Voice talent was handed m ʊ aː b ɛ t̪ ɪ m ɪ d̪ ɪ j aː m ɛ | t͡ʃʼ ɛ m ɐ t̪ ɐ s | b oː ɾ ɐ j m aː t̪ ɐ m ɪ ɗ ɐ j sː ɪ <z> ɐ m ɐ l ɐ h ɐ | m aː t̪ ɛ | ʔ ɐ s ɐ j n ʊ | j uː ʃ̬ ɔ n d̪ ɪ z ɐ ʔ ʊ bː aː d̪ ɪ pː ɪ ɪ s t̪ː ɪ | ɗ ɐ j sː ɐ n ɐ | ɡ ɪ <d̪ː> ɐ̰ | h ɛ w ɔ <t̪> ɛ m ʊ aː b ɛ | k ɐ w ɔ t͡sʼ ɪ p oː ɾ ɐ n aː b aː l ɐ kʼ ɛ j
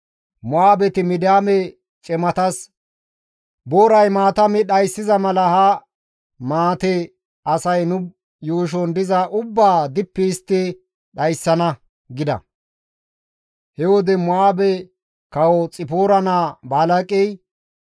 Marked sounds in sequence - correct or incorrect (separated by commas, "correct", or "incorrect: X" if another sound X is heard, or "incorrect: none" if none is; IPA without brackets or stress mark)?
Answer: correct, incorrect: d̪, incorrect: d̪